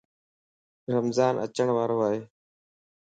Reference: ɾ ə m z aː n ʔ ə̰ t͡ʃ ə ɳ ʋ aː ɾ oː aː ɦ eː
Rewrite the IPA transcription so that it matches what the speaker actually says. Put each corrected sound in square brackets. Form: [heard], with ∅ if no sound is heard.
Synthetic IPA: ɾ ə m z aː n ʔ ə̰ t͡ʃ ə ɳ ʋ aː ɾ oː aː ɦ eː